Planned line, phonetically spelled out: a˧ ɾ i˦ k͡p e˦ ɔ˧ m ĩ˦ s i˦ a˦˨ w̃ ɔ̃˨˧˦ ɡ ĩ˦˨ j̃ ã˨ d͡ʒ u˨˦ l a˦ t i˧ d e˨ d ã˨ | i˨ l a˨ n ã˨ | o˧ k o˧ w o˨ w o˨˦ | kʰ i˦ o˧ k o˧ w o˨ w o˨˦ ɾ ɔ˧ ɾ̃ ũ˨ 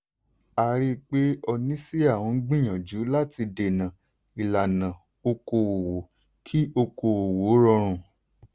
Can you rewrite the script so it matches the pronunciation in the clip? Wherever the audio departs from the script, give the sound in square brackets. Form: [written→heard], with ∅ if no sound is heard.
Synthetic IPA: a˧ ɾ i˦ k͡p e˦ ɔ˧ [m→n] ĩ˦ s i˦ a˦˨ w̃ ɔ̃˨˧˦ [ɡ→ɡ͡b] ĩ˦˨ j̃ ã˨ d͡ʒ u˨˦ l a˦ t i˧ d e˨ [d→n] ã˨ | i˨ l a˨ n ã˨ | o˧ k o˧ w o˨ w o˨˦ | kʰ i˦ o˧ k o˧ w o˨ w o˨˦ ɾ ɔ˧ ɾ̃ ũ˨